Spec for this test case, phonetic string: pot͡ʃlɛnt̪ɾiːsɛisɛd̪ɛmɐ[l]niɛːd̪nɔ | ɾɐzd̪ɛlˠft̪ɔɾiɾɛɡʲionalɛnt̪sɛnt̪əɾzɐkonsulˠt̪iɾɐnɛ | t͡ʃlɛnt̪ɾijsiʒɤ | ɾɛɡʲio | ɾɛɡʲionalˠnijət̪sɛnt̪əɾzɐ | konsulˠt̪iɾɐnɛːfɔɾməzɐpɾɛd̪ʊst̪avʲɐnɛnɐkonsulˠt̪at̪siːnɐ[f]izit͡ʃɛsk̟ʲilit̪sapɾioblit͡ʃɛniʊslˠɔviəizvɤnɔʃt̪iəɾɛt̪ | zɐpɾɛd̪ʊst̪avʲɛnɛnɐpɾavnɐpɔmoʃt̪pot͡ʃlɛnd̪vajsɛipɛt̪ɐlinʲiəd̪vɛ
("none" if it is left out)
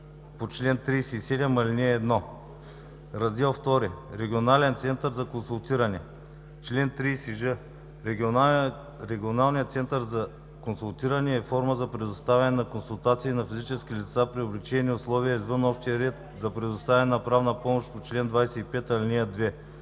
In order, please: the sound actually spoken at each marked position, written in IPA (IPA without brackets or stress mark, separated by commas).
l, f